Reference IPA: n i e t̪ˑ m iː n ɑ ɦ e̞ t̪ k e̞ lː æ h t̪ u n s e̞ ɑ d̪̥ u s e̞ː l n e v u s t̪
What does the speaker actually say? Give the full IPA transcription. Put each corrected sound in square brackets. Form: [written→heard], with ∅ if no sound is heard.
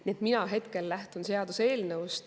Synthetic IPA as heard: n i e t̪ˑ m [iː→i] n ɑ ɦ e̞ t̪ k e̞ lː æ h t̪ u n s e̞ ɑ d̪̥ u s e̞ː l n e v u s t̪